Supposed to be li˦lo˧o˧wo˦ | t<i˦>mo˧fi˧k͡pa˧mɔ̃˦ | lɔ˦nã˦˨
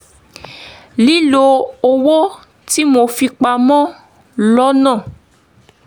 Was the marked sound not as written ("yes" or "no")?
no